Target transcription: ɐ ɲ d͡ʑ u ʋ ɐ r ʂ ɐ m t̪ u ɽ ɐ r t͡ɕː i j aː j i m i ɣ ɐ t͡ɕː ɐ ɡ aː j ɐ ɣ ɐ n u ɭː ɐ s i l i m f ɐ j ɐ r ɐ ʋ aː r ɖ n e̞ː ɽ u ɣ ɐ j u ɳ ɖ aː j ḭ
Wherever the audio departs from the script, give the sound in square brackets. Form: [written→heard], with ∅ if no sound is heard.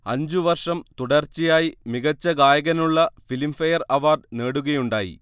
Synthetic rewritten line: ɐ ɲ d͡ʑ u ʋ ɐ r ʂ ɐ m t̪ u ɽ ɐ r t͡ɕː i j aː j i m i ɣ ɐ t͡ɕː ɐ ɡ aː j ɐ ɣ ɐ n u ɭː ɐ [s→f] i l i m f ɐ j ɐ r ɐ ʋ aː r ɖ n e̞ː ɽ u ɣ ɐ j u ɳ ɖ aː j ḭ